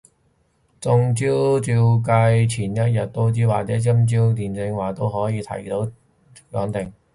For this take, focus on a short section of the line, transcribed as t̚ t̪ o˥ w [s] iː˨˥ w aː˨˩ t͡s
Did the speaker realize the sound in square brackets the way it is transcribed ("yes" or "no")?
no